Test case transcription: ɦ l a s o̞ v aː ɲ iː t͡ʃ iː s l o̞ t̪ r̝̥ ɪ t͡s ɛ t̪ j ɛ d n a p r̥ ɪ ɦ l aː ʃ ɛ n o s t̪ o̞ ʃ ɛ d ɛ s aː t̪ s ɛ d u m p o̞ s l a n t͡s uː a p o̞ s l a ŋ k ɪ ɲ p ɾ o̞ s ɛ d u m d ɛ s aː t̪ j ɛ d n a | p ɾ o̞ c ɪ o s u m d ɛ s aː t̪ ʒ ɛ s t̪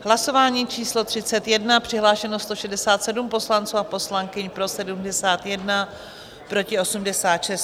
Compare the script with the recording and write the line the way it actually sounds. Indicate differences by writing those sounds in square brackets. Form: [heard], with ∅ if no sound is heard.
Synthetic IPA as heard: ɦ l a s o̞ v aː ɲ iː t͡ʃ iː s l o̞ t̪ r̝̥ ɪ t͡s ɛ t̪ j ɛ d n a p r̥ ɪ ɦ l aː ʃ ɛ n o s t̪ o̞ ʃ ɛ d ɛ s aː t̪ s ɛ d u m p o̞ s l a n t͡s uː a p o̞ s l a ŋ k ɪ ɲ p ɾ o̞ s ɛ d u m d ɛ s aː t̪ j ɛ d n a | p ɾ o̞ c ɪ o s u m d ɛ s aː t̪ [ʃ] ɛ s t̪

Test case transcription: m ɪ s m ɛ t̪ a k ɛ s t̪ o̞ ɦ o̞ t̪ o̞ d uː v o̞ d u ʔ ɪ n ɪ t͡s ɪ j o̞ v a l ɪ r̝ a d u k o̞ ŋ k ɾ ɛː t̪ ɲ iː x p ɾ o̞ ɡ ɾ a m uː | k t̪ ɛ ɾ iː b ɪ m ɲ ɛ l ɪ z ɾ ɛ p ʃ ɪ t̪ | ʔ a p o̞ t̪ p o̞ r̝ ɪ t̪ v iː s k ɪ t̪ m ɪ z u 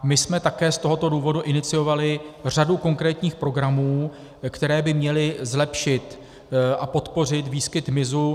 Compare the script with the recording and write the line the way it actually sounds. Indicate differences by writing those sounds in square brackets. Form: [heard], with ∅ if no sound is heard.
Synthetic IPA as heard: m ɪ s m ɛ t̪ a k [ɛː] s t̪ o̞ ɦ o̞ t̪ o̞ d uː v o̞ d u ʔ ɪ n ɪ t͡s ɪ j o̞ v a l ɪ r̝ a d u k o̞ ŋ k ɾ ɛː t̪ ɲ iː x p ɾ o̞ ɡ ɾ a m uː | k t̪ ɛ ɾ [ɛː] b ɪ m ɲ ɛ l ɪ z [l] ɛ p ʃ ɪ t̪ | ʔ a p o̞ t̪ p o̞ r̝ ɪ t̪ v iː s k ɪ t̪ m ɪ z u

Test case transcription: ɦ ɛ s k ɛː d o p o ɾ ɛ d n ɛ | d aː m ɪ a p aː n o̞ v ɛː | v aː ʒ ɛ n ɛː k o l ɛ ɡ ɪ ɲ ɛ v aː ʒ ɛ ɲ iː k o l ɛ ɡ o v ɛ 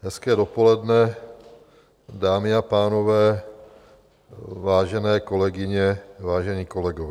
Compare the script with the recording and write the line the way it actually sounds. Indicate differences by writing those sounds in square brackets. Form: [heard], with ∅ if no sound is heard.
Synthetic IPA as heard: ɦ ɛ s k ɛː d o p o [l] ɛ d n ɛ | d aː m ɪ a p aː n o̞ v ɛː | v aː ʒ ɛ n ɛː k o l ɛ ɡ ɪ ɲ ɛ v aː ʒ ɛ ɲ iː k o l ɛ ɡ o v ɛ

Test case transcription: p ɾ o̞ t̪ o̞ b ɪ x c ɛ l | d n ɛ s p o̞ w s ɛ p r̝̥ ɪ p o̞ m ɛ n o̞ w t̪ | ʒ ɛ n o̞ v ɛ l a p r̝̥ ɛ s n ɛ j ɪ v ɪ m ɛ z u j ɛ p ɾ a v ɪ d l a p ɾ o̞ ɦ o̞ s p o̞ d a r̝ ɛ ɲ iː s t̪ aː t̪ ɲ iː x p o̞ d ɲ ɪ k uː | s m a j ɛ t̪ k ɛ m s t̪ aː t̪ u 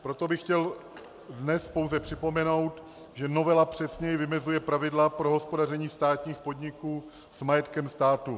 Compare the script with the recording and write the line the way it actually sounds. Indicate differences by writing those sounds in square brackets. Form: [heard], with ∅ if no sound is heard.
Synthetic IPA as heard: p ɾ o̞ t̪ o̞ b ɪ x c ɛ l | d n ɛ s p o̞ w [z] ɛ p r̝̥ ɪ p o̞ m ɛ n o̞ w t̪ | ʒ ɛ n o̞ v ɛ l a p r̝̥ ɛ s [ɲ] ɛ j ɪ v ɪ m ɛ z u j ɛ p ɾ a v ɪ d l a p ɾ o̞ ɦ o̞ s p o̞ d a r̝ ɛ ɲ iː s t̪ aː t̪ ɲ iː x p o̞ d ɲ ɪ k uː | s m a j ɛ t̪ k ɛ m s t̪ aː t̪ u

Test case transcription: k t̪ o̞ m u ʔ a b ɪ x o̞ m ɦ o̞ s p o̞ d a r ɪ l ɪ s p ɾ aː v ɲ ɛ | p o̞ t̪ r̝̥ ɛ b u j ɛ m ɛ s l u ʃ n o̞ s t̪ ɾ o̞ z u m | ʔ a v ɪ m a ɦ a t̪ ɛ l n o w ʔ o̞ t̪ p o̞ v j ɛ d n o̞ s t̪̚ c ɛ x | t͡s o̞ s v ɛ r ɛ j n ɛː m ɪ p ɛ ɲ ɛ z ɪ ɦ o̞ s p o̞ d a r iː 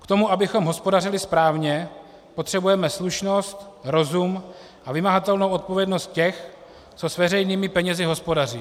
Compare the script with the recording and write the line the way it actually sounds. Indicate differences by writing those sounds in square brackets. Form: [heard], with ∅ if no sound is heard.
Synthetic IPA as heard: k t̪ o̞ m u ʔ a b ɪ x o̞ m ɦ o̞ s p o̞ d a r ɪ l ɪ s p ɾ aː v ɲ ɛ | p o̞ t̪ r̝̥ ɛ b u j ɛ m ɛ s l u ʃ n o̞ s t̪ ɾ o̞ z u m | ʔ a v ɪ m a ɦ a t̪ ɛ l n o w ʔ o̞ t̪ p o̞ v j ɛ d n o̞ s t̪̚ c ɛ x | t͡s o̞ s v ɛ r ɛ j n [iː] m ɪ p ɛ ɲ ɛ z ɪ ɦ o̞ s p o̞ d a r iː

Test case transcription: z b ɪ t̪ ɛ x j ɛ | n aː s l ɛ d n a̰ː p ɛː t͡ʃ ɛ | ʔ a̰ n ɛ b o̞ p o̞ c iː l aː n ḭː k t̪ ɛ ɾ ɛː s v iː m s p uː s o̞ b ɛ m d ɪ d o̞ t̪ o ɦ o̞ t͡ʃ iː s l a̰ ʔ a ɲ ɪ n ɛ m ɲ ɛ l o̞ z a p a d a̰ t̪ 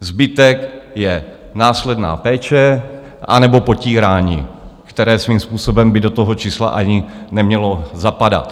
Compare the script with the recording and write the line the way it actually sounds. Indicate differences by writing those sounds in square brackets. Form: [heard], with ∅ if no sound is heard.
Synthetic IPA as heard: z b ɪ t̪ ɛ [k] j ɛ | n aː s l ɛ d n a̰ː p ɛː t͡ʃ ɛ | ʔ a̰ n ɛ b o̞ p o̞ c iː [ɾ] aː [ɲ] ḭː k t̪ ɛ ɾ ɛː s v iː m s p uː s o̞ b ɛ m [b] ɪ d o̞ t̪ o ɦ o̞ t͡ʃ iː s l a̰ ʔ a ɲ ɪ n ɛ m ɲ ɛ l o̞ z a p a d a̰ t̪

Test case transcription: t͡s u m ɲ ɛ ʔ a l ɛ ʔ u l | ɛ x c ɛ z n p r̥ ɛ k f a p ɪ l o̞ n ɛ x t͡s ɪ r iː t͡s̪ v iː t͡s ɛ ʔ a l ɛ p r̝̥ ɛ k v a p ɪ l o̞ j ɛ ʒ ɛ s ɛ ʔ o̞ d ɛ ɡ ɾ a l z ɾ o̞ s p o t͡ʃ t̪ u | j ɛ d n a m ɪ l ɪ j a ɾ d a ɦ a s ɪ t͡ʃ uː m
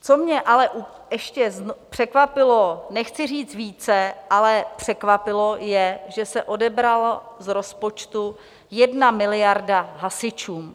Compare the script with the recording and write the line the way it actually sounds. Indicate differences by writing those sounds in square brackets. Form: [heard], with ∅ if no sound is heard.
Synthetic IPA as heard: t͡s [o] m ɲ ɛ ʔ a l ɛ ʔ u [∅] | ɛ [ʃ] c ɛ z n p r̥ ɛ k [v] a p ɪ l o̞ n ɛ x t͡s ɪ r iː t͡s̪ v iː t͡s ɛ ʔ a l ɛ p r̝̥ ɛ k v a p ɪ l o̞ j ɛ ʒ ɛ s ɛ ʔ o̞ d ɛ [b] ɾ a l z ɾ o̞ s p o t͡ʃ t̪ u | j ɛ d n a m ɪ l ɪ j a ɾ d a ɦ a s ɪ t͡ʃ uː m

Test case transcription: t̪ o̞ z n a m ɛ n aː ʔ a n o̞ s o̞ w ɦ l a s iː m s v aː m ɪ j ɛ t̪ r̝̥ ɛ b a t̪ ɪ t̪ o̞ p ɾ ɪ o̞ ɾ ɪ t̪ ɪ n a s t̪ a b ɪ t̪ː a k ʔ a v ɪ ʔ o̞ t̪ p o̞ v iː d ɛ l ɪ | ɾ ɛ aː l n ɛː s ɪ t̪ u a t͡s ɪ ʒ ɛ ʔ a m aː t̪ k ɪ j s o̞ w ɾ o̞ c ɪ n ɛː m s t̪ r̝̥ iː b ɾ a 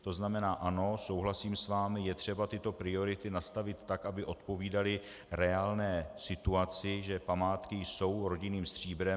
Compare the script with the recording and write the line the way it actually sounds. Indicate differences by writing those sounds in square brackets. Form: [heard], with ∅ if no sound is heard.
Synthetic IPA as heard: t̪ o̞ z n a m ɛ n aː ʔ a n o̞ s o̞ w ɦ l a s iː m s v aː m ɪ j ɛ t̪ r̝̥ ɛ b a t̪ ɪ t̪ o̞ p ɾ ɪ o̞ ɾ ɪ t̪ ɪ n a s t̪ a [v] ɪ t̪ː a k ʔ a [b] ɪ ʔ o̞ t̪ p o̞ v iː d [a] l ɪ | ɾ ɛ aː l n ɛː s ɪ t̪ u a t͡s ɪ ʒ ɛ [p] a m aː t̪ k ɪ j s o̞ w ɾ o̞ [ɟ] ɪ n [iː] m s t̪ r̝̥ iː b ɾ [ɛ]

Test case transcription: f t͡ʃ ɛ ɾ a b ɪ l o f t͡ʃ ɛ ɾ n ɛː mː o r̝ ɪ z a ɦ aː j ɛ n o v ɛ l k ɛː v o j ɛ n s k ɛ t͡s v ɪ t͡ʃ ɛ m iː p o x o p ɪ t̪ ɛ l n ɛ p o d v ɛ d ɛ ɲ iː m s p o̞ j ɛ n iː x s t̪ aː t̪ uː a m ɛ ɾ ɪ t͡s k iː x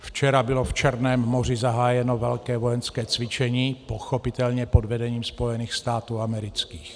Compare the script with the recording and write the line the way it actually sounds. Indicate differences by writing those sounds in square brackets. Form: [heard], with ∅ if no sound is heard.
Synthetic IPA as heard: f t͡ʃ ɛ ɾ a b ɪ l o f t͡ʃ ɛ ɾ n ɛː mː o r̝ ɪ z a ɦ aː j ɛ n o v ɛ l k ɛː v o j ɛ n s k [ɛː] t͡s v ɪ t͡ʃ ɛ [ɲ] iː p o x o p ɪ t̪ ɛ l [ɲ] ɛ p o d v ɛ d ɛ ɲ iː m s p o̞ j ɛ n iː x s t̪ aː t̪ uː a m ɛ ɾ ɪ t͡s k iː x

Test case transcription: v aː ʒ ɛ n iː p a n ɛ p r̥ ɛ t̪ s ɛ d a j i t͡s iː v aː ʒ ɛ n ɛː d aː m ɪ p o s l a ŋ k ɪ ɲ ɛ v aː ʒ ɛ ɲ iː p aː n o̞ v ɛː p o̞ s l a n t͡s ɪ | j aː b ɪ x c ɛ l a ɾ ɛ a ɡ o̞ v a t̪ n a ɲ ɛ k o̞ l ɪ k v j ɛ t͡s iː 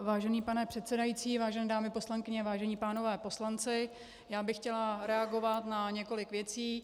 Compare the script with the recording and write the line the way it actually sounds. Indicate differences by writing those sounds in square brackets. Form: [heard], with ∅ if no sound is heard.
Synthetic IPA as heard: v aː ʒ ɛ n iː p a n ɛ p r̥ ɛ t̪ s ɛ d a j i t͡s iː v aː ʒ ɛ n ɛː d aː m ɪ p o s l a ŋ k ɪ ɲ ɛ v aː ʒ ɛ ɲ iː p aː n o̞ v ɛː p o̞ s l a n t͡s ɪ | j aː b ɪ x c ɛ l a ɾ ɛ a ɡ o̞ v a t̪ n a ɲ ɛ k o̞ l ɪ k v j ɛ t͡s iː

